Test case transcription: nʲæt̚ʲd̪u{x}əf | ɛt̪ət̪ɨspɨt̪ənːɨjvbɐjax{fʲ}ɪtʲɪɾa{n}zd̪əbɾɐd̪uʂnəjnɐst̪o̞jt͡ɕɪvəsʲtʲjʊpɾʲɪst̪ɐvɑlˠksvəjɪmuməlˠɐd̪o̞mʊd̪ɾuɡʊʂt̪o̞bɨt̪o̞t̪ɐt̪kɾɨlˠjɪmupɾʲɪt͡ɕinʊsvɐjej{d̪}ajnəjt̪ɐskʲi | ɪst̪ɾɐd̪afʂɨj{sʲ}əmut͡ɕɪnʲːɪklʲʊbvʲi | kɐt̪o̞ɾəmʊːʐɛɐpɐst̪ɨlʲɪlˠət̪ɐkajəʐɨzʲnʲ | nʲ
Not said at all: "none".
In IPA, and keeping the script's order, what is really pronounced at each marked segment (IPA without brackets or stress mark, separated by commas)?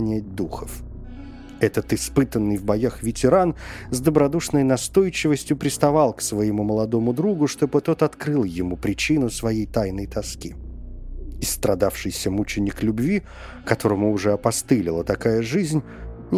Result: x, vʲ, n, t̪, sʲ